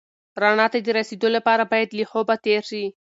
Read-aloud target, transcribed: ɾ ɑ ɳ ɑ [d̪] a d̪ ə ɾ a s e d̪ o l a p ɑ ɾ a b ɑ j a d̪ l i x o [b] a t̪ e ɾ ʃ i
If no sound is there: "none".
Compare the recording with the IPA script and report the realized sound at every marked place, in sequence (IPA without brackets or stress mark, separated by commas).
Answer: t̪, b